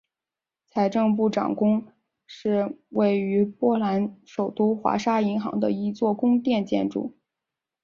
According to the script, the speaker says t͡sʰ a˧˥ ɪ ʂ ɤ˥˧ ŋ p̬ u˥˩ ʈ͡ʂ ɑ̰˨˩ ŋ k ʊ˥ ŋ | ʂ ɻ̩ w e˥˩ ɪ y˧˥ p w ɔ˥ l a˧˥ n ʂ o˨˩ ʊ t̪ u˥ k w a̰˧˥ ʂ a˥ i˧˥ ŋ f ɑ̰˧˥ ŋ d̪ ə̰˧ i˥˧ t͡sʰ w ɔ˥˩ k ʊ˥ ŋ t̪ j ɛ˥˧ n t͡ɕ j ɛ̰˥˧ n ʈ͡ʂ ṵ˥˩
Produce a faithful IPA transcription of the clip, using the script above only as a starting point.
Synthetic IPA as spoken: t͡sʰ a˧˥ ɪ ʈ͡ʂ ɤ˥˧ ŋ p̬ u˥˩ ʈ͡ʂ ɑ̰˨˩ ŋ k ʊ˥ ŋ | ʂ ɻ̩ w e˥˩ ɪ y˧˥ p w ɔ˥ l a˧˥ n ʂ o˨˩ ʊ t̪ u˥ x w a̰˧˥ ʂ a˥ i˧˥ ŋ x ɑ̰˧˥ ŋ d̪ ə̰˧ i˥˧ t͡s w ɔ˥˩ k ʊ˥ ŋ t̪ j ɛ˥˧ n t͡ɕ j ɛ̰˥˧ n ʈ͡ʂ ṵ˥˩